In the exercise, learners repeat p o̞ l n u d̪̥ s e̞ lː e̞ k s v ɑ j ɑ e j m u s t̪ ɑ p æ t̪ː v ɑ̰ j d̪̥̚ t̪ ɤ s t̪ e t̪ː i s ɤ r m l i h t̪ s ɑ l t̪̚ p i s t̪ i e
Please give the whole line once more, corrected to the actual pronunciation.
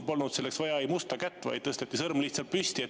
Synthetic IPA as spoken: p o̞ l n u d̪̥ s e̞ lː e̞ k s v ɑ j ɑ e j m u s t̪ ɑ k æ t̪ː v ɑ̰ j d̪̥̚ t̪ ɤ s t̪ e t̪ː i s ɤ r m l i h t̪ s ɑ l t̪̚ p y s t̪ i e